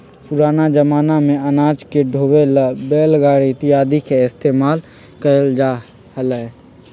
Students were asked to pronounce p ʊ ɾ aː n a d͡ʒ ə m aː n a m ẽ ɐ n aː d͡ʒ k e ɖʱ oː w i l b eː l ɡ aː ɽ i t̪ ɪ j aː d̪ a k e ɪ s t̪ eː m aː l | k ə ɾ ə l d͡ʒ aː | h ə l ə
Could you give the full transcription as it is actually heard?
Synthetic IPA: p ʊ ɾ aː n a d͡ʒ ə m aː n a m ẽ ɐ n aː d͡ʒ k e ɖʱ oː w e l b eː l ɡ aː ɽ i t̪ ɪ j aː d̪ i k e ɪ s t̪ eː m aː l | k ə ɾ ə l d͡ʒ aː | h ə l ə